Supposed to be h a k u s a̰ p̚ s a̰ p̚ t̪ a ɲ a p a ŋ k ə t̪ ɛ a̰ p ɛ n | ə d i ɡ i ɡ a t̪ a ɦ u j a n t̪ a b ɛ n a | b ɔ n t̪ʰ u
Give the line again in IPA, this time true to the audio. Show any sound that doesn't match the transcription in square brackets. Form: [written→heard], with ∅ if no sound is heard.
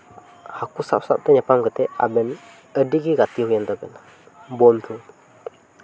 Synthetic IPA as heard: h a k u s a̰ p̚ s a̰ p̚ t̪ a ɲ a p a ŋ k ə t̪ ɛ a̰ [p→b] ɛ n | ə d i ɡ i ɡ a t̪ [a→i] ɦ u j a n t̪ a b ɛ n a | b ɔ n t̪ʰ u